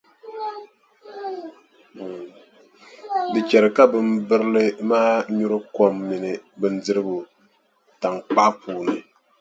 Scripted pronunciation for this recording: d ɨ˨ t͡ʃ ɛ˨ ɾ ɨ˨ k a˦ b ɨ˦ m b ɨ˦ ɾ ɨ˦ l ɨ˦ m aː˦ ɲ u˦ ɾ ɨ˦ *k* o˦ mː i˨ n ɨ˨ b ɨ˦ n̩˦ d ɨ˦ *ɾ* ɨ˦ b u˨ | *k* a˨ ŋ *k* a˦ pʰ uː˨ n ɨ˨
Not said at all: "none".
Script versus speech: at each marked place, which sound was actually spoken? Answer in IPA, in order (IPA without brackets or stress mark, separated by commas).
k, ɾ, t, k͡p